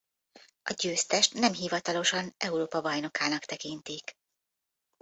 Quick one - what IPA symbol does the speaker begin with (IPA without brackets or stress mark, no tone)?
ɒ